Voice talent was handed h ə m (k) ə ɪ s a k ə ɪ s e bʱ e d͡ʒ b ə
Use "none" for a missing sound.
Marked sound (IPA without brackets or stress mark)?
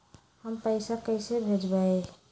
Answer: p